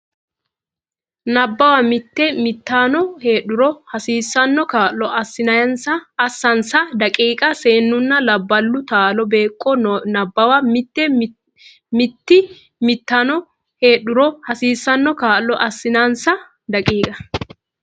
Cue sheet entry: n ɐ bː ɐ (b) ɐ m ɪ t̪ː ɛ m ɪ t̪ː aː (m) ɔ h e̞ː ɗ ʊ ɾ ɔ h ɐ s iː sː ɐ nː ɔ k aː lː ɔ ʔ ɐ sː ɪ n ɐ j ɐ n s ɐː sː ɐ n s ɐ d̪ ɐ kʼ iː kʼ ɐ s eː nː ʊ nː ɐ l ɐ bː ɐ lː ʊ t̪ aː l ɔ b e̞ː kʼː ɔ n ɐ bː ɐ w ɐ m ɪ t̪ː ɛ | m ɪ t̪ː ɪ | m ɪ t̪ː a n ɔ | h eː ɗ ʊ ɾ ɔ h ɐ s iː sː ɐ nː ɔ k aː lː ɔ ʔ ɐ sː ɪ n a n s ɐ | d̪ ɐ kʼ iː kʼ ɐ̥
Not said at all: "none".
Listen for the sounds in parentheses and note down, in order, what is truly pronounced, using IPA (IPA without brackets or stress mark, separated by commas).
w, n